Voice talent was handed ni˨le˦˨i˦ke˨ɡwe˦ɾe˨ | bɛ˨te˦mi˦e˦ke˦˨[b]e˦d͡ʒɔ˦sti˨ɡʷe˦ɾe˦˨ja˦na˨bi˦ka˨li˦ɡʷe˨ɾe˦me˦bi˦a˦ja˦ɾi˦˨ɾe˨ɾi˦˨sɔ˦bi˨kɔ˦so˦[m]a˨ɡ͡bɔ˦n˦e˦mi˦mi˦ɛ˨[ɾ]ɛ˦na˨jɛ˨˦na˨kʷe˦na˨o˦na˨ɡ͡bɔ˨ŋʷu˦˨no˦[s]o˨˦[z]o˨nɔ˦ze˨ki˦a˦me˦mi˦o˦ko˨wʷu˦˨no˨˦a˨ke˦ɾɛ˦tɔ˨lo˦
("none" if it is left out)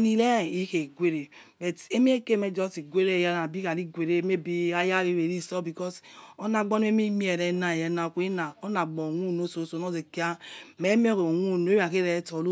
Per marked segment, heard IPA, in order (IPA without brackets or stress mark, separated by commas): m, n, ɾ, s, s